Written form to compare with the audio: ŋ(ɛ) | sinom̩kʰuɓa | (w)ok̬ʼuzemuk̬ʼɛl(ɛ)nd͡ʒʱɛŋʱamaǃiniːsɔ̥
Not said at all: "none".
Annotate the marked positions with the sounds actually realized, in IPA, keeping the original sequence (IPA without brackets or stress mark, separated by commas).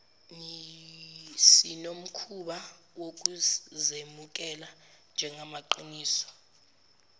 i, w, a